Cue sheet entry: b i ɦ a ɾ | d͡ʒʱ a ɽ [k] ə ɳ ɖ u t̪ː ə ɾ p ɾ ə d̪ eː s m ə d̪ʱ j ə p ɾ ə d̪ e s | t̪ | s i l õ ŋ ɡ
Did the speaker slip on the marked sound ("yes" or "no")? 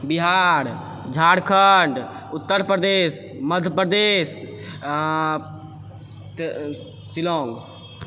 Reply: yes